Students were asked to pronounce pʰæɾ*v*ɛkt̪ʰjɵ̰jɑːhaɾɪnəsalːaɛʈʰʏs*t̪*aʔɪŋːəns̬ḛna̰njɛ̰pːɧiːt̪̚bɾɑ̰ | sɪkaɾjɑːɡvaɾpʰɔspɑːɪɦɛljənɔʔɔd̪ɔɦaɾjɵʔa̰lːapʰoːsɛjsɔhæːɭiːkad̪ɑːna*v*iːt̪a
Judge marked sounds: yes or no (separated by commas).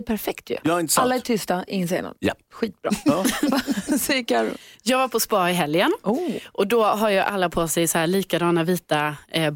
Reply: no, yes, yes